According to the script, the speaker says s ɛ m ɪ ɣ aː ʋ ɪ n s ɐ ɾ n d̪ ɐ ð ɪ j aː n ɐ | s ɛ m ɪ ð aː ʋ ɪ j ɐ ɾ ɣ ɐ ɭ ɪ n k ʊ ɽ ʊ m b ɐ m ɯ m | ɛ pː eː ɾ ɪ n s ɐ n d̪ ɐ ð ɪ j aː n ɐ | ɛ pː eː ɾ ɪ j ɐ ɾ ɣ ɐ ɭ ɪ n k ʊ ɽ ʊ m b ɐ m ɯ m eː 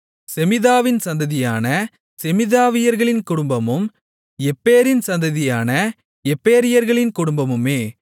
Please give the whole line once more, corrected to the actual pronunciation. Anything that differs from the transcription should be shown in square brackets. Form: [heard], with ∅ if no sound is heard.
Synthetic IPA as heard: s ɛ m ɪ [ð] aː ʋ ɪ n s ɐ [∅] n d̪ ɐ ð ɪ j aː n ɐ | s ɛ m ɪ ð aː ʋ ɪ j ɐ ɾ ɣ ɐ ɭ ɪ n k ʊ ɽ ʊ m b ɐ m ɯ m | ɛ pː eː ɾ ɪ n s ɐ n d̪ ɐ ð ɪ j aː n ɐ | ɛ pː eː ɾ ɪ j ɐ ɾ ɣ ɐ ɭ ɪ n k ʊ ɽ ʊ m b ɐ m ɯ m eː